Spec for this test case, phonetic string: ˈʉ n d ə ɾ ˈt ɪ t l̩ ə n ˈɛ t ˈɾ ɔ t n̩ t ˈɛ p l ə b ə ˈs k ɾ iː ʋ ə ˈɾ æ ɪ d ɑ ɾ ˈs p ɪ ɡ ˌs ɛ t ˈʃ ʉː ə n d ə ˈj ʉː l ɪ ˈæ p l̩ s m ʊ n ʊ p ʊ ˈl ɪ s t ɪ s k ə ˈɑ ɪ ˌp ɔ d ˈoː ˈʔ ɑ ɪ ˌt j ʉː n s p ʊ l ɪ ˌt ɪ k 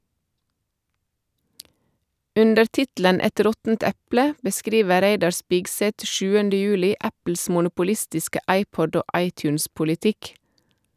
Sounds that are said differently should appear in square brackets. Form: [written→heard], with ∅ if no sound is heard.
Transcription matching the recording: ˈʉ n d ə ɾ ˈt ɪ t l̩ ə n ˈɛ t ˈɾ ɔ t n̩ t ˈɛ p l ə b ə ˈs k ɾ iː ʋ ə ˈɾ æ ɪ d ɑ ɾ ˈs p ɪ ɡ ˌs ɛ t ˈʃ ʉː ə n d ə ˈj ʉː l ɪ ˈæ p l̩ s m ʊ n ʊ p ʊ ˈl ɪ s t ɪ s k ə ˈɑ ɪ ˌp ɔ d ˈoː ˈʔ ɑ ɪ ˌt j ʉː n s p ʊ l ɪ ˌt ɪ k